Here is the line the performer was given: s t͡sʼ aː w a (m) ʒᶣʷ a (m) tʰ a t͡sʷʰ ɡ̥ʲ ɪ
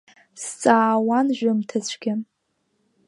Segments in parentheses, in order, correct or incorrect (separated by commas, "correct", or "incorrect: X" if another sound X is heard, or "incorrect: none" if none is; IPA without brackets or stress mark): incorrect: n, correct